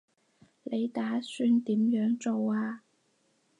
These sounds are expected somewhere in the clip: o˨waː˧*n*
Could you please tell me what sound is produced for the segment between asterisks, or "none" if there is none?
none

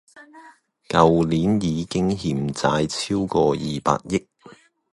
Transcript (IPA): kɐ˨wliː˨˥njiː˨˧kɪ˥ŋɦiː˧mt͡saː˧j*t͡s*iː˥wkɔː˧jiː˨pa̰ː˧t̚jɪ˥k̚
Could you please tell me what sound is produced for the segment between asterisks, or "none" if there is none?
t͡sʰ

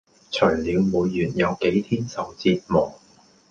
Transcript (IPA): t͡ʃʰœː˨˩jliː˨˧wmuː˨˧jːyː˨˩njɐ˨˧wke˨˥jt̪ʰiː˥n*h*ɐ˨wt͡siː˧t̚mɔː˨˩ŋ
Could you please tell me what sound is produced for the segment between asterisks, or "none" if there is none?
s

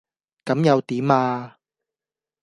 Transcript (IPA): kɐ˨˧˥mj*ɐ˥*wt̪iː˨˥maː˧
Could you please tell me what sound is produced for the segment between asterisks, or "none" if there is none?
ɐ˨˧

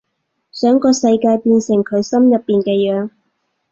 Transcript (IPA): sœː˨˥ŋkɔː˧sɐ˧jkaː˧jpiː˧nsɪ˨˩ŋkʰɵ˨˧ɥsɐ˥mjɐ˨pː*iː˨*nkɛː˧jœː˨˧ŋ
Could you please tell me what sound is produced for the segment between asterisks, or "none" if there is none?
iː˨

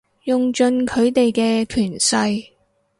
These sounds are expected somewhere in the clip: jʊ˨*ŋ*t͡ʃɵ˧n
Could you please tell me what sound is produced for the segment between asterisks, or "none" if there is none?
ŋ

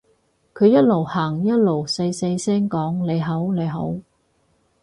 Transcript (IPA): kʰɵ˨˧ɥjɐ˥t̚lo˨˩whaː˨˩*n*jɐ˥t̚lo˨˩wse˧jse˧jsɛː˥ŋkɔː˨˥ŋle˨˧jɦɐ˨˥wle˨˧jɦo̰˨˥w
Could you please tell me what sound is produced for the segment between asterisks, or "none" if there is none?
ŋ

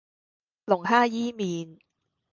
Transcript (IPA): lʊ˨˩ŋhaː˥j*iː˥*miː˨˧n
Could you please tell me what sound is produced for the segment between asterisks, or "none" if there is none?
iː˥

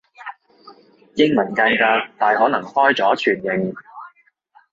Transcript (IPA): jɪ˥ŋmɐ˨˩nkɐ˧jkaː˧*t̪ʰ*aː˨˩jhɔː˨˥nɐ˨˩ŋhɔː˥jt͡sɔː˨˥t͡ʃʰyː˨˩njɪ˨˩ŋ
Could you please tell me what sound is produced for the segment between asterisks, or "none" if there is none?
t̪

